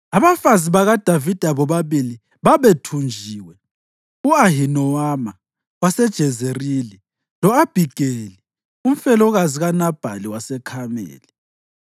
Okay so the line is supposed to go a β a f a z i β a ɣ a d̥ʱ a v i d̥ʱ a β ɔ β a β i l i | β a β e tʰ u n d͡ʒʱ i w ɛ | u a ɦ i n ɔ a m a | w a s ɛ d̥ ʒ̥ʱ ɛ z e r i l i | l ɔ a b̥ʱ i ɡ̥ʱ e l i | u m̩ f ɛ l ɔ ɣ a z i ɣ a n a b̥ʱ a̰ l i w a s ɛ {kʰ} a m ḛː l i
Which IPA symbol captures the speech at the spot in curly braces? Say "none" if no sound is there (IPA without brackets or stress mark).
kʰ